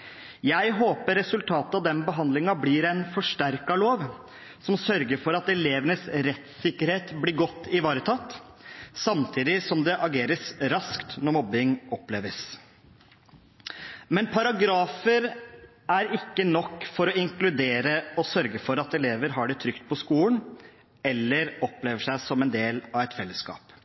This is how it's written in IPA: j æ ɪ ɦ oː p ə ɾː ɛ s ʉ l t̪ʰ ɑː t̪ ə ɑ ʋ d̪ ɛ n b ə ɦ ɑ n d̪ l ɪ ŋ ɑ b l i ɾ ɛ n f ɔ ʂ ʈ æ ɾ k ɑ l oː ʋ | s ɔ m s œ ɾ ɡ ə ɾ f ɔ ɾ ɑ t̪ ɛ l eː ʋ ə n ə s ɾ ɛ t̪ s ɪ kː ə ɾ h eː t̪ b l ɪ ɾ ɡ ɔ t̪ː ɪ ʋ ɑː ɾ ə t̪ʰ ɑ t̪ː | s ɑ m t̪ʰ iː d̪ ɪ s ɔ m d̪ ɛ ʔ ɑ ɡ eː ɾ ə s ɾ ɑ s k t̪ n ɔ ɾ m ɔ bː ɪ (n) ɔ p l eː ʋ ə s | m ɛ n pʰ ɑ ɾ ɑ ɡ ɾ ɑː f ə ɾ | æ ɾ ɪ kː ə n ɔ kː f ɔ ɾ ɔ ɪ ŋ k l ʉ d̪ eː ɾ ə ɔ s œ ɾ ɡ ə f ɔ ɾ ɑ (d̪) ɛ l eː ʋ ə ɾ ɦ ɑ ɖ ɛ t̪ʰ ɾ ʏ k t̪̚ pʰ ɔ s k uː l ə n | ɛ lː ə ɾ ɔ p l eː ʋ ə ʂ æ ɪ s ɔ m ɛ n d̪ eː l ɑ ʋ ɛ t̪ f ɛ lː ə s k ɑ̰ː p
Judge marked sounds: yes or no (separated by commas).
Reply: no, no